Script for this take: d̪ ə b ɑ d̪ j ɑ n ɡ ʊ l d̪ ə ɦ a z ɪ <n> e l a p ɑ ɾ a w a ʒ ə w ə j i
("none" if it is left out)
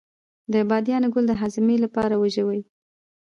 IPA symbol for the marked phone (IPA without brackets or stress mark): m